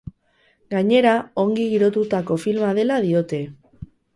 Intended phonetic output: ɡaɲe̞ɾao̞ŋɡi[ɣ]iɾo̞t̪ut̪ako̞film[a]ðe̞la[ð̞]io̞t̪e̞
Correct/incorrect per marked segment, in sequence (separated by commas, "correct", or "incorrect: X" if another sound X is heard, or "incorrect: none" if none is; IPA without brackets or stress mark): correct, correct, correct